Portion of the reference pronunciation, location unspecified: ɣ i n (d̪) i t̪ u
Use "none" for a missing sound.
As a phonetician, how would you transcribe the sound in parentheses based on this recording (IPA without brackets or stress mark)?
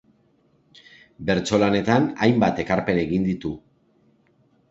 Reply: d̪